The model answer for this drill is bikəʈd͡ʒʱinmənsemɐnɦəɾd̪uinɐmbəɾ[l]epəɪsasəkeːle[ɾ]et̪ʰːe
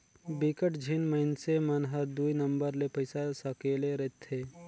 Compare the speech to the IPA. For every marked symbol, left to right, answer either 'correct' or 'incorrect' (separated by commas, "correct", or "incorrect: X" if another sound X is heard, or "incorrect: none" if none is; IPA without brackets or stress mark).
correct, correct